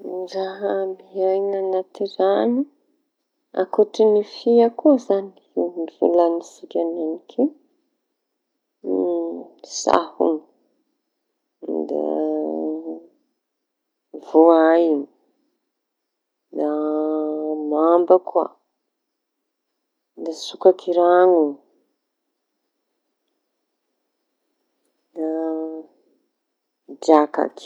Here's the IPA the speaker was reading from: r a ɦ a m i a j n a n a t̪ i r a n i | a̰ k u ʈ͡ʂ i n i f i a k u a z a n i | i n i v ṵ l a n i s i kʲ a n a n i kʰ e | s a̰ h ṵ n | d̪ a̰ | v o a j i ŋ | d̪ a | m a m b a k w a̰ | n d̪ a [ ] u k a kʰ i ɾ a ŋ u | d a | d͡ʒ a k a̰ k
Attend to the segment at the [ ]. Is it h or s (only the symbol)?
s